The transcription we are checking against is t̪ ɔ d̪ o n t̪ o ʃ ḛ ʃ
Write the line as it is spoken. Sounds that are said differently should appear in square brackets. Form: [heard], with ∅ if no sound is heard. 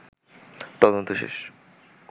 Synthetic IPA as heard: t̪ ɔ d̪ o n t̪ o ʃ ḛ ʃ